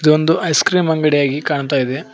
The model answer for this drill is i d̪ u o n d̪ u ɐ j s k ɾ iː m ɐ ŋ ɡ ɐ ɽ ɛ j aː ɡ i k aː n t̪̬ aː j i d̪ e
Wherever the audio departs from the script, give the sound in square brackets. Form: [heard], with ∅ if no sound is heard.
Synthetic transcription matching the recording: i d̪ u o n d̪ u ɐ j s k ɾ iː m ɐ ŋ ɡ ɐ ɽ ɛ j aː ɡ i k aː [ɳ] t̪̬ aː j i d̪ e